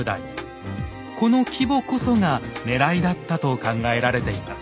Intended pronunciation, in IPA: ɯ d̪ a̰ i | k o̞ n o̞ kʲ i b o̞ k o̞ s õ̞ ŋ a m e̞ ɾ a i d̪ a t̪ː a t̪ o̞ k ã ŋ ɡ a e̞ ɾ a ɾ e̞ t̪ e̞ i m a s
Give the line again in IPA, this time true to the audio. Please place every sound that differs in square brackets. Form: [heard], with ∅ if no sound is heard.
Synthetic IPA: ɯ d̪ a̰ i | k o̞ n o̞ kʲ i b o̞ k o̞ s [o̞] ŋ a [n] e̞ ɾ a i d̪ a t̪ː a t̪ o̞ k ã ŋ ɡ a e̞ ɾ a ɾ e̞ t̪ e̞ i m a s